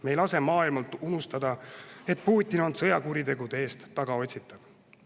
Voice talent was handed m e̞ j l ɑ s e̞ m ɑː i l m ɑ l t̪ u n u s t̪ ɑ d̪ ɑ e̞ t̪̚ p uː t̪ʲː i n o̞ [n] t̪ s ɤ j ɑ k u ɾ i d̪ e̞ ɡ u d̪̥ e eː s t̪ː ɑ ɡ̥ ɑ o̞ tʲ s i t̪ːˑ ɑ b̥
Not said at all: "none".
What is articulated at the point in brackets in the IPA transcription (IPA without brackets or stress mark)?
n